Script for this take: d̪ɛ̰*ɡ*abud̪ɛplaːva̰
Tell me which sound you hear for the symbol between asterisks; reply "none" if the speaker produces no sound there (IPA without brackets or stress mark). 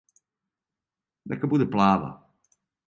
k